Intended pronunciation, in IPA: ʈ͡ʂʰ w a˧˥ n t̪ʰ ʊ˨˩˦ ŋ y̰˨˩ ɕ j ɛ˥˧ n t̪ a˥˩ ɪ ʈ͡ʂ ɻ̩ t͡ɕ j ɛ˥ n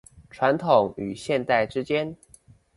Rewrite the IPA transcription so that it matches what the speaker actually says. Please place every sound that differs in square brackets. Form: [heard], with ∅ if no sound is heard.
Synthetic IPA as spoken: ʈ͡ʂʰ w a˧˥ n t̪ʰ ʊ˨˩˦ ŋ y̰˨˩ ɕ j ɛ˥˧ n t̪ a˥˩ ɪ ʈ͡ʂ ɻ̩ t͡ɕ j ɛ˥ n